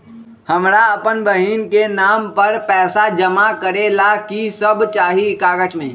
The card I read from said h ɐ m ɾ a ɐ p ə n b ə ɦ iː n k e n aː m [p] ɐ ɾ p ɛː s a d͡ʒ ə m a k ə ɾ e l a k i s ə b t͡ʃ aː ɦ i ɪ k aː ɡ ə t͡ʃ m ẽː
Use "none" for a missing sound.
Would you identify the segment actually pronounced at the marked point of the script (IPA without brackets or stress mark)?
p